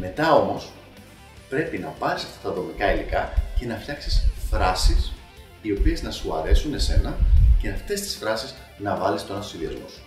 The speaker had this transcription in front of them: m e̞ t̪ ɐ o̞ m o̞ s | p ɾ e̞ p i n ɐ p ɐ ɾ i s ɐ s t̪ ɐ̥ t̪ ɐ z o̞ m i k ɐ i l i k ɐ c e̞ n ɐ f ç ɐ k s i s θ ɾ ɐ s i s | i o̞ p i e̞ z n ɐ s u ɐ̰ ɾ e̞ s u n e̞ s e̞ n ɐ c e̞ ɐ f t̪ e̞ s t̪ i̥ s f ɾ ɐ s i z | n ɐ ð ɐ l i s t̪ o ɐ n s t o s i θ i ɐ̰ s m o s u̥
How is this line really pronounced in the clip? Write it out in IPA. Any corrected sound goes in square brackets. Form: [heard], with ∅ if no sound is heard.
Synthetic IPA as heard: m e̞ t̪ ɐ o̞ m o̞ s | p ɾ e̞ p i n ɐ p ɐ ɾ i s ɐ [f] t̪ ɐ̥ t̪ ɐ [ð] o̞ m i k ɐ i l i k ɐ c e̞ n ɐ f ç ɐ k s i s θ ɾ ɐ s i s | i o̞ p i e̞ z n ɐ s u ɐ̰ ɾ e̞ s u n e̞ s e̞ n ɐ c e̞ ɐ f t̪ e̞ s t̪ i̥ s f ɾ ɐ s i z | n ɐ [v] ɐ l i s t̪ o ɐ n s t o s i [ð] i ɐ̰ [z] m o s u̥